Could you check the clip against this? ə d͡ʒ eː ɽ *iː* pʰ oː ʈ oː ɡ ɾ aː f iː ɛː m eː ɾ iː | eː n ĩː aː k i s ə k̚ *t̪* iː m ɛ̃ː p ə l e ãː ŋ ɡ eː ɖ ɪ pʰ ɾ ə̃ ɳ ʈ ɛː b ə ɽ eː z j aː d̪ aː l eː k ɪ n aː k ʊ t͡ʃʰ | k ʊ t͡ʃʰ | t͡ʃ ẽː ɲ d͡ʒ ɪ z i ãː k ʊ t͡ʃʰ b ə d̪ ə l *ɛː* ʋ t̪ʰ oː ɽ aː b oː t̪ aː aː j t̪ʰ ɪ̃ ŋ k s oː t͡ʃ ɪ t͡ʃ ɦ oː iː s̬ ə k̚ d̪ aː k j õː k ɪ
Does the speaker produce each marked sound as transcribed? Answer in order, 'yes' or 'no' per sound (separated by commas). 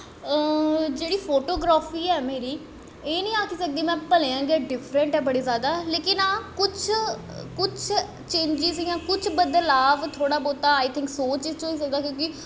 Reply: yes, no, no